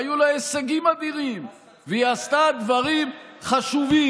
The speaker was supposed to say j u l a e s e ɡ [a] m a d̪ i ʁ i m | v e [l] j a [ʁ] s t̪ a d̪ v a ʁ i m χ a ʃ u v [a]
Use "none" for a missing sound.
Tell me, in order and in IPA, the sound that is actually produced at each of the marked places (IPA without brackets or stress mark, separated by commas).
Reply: i, none, none, i